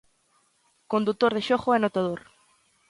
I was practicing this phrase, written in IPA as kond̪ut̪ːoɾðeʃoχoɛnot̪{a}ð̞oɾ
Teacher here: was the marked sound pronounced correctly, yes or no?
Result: yes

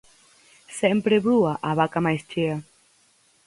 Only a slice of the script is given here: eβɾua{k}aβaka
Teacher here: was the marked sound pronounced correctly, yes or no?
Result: no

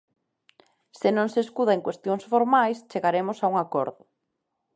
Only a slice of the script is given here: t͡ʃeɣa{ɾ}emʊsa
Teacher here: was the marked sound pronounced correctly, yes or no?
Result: yes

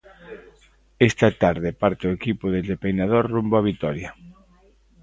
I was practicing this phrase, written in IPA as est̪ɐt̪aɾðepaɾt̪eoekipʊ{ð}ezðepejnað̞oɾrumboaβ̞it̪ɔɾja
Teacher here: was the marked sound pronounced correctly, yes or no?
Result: yes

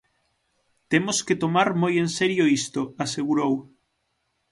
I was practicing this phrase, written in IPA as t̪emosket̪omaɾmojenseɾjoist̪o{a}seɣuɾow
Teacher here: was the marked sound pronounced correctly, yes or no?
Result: yes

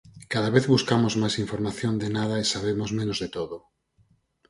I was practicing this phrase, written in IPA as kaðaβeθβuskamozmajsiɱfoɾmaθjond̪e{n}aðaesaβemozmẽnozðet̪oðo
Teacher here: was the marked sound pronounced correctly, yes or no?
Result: yes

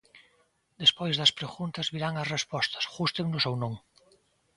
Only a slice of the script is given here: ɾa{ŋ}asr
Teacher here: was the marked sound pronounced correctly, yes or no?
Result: yes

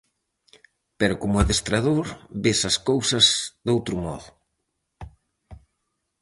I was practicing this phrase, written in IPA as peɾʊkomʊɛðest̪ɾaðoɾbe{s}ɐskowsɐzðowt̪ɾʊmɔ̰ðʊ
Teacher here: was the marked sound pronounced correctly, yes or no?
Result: yes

